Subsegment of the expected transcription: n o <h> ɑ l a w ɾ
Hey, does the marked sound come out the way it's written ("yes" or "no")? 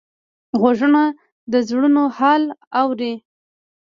yes